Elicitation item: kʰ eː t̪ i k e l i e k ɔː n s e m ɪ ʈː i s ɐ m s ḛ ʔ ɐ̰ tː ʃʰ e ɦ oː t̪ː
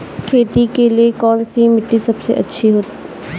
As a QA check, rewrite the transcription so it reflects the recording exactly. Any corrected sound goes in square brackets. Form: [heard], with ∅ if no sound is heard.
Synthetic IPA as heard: kʰ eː t̪ i k e l i e k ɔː n s [i] m ɪ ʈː i s ɐ [b] s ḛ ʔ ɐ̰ tː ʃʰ [i] ɦ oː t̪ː